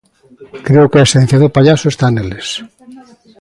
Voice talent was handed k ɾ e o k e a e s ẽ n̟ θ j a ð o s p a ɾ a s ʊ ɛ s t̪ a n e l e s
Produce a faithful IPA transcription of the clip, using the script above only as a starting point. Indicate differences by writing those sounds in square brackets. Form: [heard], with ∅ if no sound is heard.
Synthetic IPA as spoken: k ɾ e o k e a e s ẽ n̟ θ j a ð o [∅] p a [ʎ] a s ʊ [e] s t̪ a n e l e s